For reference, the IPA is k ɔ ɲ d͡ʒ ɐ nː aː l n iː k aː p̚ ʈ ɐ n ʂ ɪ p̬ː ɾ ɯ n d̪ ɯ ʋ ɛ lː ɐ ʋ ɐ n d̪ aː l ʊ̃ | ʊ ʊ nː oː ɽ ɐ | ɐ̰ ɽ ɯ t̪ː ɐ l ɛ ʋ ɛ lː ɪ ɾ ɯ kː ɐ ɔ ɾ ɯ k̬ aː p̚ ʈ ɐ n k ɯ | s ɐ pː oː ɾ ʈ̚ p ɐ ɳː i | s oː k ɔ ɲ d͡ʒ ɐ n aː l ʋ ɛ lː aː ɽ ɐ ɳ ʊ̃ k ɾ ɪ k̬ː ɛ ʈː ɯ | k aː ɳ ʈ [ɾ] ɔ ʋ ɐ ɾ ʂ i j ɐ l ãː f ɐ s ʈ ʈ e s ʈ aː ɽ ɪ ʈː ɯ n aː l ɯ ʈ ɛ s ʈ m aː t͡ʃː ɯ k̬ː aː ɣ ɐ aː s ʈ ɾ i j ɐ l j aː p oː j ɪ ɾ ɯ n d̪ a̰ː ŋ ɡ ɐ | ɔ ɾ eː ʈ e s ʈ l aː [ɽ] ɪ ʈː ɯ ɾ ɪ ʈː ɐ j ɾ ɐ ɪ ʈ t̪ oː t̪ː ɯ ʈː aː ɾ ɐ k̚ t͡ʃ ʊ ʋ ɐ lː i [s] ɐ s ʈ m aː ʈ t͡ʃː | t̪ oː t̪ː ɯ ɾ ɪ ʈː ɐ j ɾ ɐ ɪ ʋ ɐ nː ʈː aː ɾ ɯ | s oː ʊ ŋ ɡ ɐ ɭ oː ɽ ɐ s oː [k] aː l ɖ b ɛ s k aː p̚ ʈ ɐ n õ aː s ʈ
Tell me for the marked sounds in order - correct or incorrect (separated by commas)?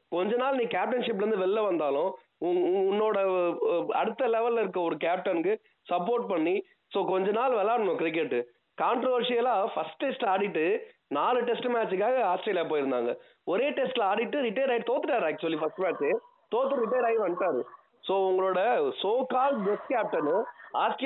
correct, correct, incorrect, correct